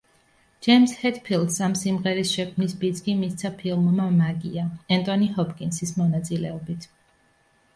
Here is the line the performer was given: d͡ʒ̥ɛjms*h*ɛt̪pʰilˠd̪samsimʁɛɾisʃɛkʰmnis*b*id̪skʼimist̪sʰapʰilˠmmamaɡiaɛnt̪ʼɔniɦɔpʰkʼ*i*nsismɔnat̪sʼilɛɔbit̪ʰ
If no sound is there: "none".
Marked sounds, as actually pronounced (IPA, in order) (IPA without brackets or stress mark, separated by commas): h, b, i